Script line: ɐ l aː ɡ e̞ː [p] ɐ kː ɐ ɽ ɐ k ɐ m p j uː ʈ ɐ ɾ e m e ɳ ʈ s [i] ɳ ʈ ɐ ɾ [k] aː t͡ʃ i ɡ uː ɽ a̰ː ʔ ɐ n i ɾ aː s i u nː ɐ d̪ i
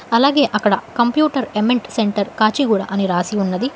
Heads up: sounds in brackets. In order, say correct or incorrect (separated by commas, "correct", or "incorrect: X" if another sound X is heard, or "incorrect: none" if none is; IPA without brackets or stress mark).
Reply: incorrect: ʔ, incorrect: e, correct